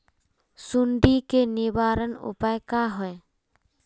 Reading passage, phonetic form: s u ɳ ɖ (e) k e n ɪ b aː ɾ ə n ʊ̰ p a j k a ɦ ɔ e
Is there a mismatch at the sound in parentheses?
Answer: yes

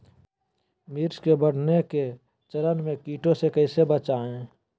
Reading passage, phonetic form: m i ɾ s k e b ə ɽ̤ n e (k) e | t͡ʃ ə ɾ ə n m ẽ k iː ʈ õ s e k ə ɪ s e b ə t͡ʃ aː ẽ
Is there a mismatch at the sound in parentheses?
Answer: no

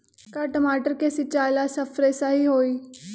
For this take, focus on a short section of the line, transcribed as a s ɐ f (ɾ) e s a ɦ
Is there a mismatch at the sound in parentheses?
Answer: no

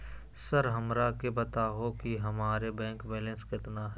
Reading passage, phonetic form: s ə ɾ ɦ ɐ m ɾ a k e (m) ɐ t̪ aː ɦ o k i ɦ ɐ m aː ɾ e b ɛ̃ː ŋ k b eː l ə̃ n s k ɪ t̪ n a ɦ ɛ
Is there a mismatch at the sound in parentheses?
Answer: yes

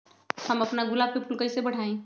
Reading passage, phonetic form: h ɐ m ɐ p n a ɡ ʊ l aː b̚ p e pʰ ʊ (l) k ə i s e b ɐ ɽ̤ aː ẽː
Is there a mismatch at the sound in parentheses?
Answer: no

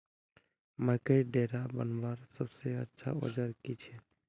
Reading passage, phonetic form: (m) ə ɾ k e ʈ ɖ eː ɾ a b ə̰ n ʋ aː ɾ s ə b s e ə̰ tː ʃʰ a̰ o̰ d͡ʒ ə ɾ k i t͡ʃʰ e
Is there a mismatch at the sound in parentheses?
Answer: no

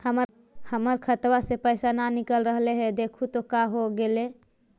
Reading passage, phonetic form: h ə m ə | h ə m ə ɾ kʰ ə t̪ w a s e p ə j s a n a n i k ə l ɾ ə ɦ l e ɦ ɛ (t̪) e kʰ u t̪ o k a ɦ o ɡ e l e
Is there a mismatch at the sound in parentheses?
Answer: yes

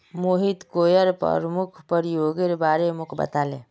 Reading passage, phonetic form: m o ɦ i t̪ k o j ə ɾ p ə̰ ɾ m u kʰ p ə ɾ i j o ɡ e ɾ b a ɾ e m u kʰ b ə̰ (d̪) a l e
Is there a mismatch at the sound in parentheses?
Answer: yes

